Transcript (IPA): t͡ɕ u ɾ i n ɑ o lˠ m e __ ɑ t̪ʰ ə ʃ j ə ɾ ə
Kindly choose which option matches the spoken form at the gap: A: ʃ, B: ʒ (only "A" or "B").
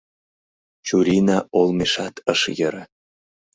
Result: A